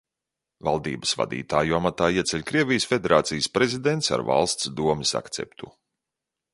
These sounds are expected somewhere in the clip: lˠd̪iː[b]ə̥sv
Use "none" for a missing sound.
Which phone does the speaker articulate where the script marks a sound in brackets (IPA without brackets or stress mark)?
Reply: b